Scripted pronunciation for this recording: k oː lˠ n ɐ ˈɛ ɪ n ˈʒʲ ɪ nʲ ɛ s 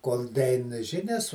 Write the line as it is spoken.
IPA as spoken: k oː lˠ d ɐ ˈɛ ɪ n ˈʒʲ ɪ nʲ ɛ s